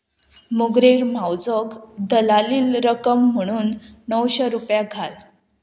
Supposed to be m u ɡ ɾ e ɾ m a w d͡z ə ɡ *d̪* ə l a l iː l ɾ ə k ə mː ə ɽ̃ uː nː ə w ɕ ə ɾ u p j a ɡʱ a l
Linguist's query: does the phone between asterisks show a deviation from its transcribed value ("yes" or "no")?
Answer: no